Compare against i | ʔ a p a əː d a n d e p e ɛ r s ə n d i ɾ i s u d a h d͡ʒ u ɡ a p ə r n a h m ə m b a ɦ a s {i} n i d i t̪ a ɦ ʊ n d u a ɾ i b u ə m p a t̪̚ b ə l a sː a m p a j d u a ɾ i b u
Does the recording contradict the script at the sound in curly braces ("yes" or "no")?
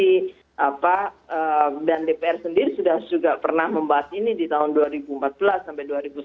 no